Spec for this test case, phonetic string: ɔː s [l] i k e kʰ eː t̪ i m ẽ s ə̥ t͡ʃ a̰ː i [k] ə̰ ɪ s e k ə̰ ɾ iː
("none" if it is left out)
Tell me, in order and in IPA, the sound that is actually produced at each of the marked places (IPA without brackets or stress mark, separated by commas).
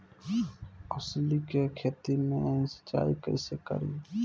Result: l, k